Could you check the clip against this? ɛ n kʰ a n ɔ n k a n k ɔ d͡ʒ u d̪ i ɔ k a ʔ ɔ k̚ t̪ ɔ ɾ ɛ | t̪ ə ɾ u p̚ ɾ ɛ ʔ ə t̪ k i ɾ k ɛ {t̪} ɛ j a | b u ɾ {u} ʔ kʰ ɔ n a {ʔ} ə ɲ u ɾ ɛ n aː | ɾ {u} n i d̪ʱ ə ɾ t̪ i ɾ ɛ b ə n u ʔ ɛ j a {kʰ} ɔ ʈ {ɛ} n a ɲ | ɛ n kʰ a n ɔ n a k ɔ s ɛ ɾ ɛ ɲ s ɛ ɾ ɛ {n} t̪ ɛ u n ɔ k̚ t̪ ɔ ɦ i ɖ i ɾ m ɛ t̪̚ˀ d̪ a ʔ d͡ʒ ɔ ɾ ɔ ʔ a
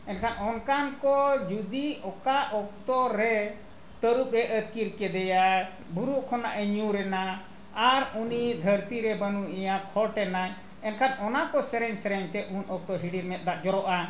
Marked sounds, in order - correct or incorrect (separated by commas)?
incorrect, correct, correct, correct, correct, correct, incorrect